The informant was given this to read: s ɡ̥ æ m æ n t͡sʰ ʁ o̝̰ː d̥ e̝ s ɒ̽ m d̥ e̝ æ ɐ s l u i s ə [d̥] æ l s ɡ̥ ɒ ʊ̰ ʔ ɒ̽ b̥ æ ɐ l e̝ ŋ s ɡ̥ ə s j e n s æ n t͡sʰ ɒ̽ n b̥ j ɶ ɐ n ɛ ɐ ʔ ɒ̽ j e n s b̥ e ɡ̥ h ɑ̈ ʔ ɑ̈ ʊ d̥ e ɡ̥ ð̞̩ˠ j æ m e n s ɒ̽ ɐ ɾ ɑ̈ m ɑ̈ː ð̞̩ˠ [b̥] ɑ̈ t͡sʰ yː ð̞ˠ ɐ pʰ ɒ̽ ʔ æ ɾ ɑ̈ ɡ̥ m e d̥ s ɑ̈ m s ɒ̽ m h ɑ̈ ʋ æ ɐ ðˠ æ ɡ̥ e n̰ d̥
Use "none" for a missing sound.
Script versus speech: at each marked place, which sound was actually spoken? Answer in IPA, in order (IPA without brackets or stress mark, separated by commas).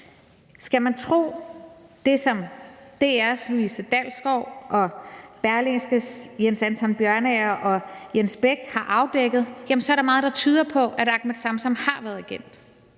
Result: d̥, d̥